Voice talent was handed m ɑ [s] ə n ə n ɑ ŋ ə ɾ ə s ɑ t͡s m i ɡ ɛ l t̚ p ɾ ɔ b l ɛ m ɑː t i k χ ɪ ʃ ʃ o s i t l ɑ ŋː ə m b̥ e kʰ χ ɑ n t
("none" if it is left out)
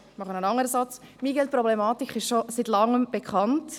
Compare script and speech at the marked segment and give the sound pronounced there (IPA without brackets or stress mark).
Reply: χ